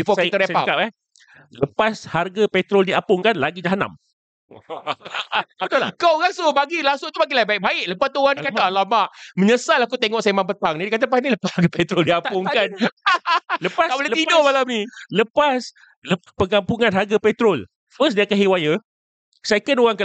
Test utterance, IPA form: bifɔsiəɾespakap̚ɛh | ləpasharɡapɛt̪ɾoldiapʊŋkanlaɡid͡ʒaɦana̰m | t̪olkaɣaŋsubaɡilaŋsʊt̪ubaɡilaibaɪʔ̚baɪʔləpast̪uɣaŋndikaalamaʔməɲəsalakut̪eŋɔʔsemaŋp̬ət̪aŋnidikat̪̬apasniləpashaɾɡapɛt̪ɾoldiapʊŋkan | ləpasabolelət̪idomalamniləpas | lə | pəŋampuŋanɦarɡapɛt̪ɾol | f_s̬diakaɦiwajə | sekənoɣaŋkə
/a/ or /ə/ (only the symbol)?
ə